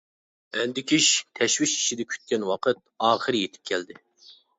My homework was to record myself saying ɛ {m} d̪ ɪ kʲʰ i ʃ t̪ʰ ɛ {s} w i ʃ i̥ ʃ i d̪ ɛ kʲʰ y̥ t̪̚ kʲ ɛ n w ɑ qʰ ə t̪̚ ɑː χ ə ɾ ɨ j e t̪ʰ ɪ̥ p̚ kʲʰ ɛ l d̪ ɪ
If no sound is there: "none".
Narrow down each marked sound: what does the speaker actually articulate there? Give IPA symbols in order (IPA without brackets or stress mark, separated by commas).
n, ʃ